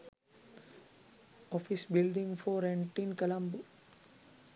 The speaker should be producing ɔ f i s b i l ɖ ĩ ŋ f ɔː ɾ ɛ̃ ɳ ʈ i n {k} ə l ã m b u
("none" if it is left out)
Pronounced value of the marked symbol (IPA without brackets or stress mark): k